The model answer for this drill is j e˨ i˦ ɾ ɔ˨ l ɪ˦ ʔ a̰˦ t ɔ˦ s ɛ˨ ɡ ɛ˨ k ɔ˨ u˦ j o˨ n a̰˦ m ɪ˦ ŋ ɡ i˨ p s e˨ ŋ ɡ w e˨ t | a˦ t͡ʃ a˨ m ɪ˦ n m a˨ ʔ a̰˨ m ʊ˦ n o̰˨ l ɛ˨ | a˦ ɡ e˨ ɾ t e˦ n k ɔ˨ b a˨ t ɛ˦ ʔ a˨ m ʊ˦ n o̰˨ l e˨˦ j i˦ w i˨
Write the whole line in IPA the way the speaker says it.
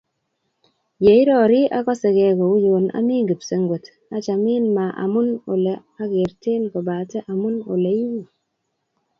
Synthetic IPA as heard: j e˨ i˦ ɾ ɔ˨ ɾ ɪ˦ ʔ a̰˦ k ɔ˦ s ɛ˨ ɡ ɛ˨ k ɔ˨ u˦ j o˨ n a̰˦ m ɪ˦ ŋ ɡ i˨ p s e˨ ŋ ɡ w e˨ t | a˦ t͡ʃ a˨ m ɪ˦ n m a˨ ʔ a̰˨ m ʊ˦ n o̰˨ l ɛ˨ | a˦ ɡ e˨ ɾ t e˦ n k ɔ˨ b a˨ t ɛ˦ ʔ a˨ m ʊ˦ n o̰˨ l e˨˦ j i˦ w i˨